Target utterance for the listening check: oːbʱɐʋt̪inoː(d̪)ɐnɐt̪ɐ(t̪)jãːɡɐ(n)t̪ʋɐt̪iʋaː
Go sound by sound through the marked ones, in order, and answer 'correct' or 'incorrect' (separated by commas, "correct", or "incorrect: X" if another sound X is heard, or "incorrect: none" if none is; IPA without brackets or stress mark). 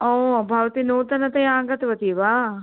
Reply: incorrect: t̪, incorrect: none, incorrect: none